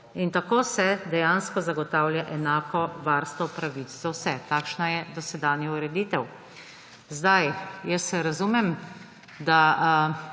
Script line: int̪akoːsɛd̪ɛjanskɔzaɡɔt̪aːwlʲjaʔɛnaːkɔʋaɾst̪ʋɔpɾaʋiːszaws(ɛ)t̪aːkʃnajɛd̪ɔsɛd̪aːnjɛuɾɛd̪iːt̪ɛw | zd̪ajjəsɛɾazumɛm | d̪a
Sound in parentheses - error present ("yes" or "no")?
no